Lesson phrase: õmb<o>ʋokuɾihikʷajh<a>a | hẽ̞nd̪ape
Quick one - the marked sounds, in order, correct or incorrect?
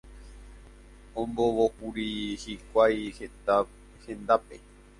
correct, incorrect

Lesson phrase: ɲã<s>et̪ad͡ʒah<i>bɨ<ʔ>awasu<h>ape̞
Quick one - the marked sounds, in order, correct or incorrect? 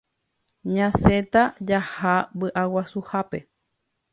correct, incorrect, correct, correct

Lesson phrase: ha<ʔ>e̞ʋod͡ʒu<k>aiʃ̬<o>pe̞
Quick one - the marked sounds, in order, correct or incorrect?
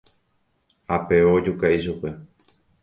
incorrect, correct, incorrect

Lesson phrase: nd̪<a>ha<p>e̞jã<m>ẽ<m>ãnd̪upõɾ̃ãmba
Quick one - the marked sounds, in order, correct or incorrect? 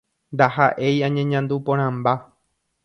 correct, incorrect, incorrect, incorrect

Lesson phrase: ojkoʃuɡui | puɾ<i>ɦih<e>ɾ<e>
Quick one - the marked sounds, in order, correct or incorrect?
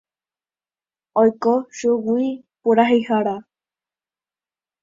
incorrect, incorrect, incorrect

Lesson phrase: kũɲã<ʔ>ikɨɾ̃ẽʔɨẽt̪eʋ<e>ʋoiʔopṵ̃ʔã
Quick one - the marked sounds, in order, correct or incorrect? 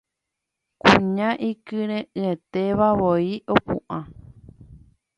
correct, incorrect

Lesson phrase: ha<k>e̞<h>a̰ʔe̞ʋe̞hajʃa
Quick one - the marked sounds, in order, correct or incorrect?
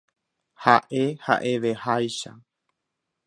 incorrect, correct

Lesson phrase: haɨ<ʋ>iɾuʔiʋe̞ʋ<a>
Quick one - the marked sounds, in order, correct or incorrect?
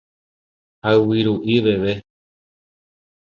incorrect, incorrect

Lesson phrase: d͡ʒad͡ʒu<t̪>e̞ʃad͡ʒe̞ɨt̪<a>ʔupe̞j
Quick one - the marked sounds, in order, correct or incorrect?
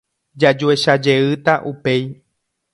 incorrect, correct

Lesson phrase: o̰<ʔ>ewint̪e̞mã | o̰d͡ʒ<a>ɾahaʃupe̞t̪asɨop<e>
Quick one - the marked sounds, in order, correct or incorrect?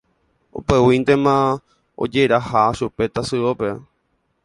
incorrect, incorrect, correct

